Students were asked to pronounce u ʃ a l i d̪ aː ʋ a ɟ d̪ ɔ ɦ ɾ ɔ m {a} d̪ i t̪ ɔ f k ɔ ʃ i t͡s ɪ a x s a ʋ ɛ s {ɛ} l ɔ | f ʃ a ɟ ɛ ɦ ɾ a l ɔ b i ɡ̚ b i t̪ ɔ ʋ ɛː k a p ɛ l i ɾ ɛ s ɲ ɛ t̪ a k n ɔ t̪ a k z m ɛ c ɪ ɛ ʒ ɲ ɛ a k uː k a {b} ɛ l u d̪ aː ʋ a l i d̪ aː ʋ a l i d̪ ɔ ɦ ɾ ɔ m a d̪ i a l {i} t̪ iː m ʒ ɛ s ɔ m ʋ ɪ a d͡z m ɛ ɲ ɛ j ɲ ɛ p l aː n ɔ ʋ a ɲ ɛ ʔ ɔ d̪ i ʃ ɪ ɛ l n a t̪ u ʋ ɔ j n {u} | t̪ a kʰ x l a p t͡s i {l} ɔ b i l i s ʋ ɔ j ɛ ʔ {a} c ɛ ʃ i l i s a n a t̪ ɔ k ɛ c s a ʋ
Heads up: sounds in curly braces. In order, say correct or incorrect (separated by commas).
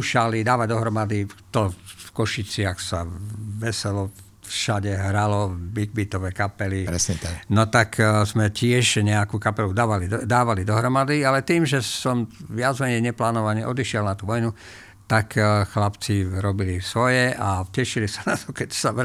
correct, correct, incorrect, incorrect, correct, incorrect, correct